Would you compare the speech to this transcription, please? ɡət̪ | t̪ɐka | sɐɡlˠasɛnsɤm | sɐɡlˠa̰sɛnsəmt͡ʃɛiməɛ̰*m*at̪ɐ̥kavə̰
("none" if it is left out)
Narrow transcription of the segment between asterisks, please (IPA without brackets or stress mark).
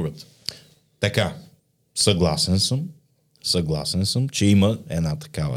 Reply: n